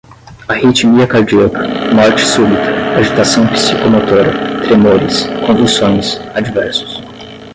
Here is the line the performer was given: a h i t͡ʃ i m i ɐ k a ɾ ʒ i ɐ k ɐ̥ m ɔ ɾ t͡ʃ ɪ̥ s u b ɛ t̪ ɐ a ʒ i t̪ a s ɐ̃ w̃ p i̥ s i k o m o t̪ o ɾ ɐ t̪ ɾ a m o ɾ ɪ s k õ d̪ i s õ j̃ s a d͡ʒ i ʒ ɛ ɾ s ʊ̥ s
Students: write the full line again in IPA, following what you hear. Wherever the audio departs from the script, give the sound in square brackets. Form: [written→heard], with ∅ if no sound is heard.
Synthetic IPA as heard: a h i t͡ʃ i m i ɐ k a ɾ [ʒ→d͡ʒ] i ɐ k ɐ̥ m ɔ ɾ t͡ʃ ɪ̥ s u b [ɛ→i] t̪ ɐ a ʒ i t̪ a s ɐ̃ w̃ p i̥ s i k o m o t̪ o ɾ ɐ t̪ ɾ [a→e] m o ɾ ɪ s k õ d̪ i s õ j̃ s a d͡ʒ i [ʒ→v] ɛ ɾ s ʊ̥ s